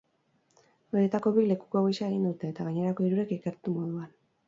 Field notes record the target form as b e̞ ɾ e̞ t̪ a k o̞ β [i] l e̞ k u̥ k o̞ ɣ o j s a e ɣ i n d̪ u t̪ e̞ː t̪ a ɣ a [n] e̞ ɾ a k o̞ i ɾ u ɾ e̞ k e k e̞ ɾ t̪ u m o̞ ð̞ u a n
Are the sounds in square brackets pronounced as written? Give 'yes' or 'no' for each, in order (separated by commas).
yes, no